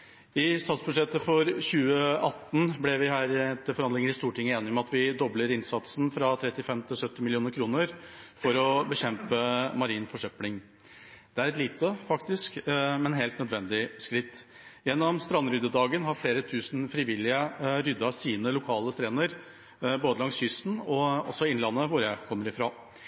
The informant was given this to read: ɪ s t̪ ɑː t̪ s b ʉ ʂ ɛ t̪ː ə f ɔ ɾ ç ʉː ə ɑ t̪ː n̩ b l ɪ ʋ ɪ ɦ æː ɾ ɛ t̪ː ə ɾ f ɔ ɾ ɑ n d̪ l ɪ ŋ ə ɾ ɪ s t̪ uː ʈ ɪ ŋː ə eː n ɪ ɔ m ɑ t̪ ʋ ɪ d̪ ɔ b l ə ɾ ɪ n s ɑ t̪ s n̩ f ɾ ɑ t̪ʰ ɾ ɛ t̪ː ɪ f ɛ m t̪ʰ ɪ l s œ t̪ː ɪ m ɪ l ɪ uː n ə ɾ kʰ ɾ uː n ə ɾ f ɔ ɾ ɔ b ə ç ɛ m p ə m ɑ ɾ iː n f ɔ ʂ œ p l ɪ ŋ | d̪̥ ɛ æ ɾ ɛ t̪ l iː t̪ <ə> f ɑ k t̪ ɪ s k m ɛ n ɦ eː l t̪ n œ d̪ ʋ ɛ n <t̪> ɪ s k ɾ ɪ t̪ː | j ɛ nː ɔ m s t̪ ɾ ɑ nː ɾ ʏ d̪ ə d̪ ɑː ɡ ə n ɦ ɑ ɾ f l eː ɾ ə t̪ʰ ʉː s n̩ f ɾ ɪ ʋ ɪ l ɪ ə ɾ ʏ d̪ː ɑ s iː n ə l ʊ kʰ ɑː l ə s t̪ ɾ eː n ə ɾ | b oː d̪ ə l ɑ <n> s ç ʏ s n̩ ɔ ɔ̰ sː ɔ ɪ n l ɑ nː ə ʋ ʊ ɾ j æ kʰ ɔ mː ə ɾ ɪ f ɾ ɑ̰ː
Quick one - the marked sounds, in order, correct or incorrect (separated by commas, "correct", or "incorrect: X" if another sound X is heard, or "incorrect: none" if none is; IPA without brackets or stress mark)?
correct, incorrect: d̪, incorrect: ŋ